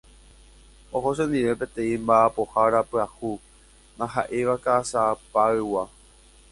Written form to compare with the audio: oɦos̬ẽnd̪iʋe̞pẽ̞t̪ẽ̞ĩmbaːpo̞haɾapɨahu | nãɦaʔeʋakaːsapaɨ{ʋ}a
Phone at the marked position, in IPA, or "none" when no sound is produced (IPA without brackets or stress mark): w